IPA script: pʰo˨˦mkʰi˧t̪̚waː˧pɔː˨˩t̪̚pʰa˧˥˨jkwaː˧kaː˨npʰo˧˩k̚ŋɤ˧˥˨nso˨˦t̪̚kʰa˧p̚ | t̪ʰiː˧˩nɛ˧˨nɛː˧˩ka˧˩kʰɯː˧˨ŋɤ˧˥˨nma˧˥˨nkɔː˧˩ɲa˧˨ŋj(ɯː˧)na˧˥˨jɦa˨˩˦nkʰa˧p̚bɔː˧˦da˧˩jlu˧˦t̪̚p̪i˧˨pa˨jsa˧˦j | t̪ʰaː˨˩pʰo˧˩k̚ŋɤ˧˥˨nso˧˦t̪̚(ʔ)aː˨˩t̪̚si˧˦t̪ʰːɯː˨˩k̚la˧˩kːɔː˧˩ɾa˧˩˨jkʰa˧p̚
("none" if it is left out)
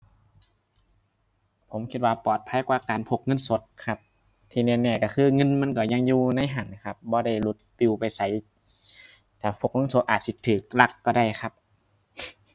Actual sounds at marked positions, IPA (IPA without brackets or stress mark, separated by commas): uː˧, ʔ